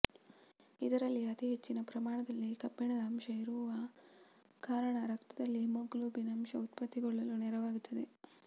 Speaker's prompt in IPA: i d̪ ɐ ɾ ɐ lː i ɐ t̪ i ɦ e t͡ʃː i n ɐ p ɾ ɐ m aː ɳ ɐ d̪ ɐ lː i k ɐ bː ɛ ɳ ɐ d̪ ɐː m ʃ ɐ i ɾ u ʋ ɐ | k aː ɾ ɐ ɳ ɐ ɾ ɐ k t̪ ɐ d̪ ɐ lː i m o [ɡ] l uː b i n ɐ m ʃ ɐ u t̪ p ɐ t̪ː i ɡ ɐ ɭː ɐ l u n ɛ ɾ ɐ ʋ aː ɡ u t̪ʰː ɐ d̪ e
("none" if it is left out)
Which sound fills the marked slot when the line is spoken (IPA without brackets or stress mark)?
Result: ɡ